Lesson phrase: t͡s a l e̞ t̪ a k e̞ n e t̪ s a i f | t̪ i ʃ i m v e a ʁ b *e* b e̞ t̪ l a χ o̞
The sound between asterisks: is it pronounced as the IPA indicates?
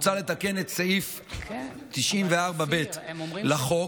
no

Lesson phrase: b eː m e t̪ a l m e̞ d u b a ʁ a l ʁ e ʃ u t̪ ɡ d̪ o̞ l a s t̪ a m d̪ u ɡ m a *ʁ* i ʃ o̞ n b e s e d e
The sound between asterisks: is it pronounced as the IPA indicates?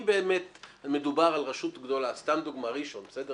yes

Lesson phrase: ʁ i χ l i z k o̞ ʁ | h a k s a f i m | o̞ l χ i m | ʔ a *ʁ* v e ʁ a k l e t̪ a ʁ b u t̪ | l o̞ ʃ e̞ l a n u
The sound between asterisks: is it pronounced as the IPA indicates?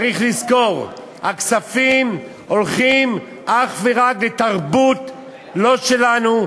no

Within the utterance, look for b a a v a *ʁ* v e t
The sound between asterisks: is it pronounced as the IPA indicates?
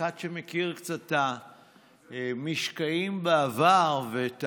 yes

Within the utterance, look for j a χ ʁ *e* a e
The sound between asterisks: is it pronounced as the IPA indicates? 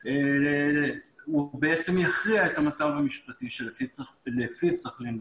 no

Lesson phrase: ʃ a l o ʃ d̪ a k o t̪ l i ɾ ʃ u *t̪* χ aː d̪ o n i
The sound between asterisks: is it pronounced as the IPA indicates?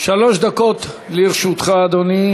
yes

